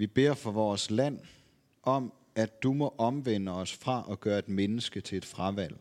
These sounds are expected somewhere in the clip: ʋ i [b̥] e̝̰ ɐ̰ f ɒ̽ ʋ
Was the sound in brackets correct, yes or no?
yes